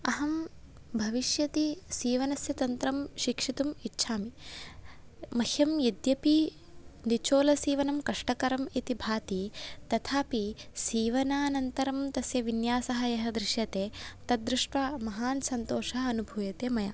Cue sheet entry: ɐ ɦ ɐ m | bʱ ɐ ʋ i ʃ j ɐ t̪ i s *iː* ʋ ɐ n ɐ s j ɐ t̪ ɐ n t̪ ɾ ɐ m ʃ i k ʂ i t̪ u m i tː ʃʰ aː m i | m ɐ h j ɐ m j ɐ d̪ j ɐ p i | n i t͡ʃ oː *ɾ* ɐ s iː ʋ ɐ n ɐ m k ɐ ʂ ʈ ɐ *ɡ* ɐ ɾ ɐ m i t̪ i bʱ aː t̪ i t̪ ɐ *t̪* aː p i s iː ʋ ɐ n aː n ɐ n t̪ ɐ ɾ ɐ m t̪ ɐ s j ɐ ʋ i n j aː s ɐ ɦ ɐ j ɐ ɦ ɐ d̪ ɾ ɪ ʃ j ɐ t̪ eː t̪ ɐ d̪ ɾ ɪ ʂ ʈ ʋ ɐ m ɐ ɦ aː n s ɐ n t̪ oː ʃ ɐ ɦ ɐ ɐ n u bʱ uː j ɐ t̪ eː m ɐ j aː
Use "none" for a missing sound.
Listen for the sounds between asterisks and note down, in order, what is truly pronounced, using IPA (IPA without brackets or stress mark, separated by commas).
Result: iː, l, k, t̪ʰ